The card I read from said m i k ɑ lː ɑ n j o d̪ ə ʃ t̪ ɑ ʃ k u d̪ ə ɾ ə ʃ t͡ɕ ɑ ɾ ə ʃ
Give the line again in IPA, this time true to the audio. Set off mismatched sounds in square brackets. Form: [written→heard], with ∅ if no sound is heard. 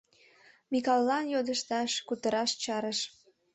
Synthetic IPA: m i k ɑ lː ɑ n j o d̪ ə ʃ t̪ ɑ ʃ k u [d̪→t̪] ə ɾ [ə→ɑ] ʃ t͡ɕ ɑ ɾ ə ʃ